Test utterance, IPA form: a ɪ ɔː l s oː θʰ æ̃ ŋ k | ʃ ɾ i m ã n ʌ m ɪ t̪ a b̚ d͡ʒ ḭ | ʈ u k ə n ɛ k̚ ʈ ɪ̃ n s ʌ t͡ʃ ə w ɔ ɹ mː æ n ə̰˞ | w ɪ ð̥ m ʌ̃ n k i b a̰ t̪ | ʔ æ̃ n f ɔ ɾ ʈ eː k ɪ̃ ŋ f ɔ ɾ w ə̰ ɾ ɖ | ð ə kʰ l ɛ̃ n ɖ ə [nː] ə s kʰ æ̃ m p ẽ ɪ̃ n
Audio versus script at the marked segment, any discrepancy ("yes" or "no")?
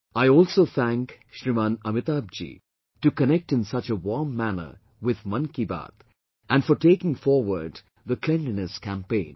yes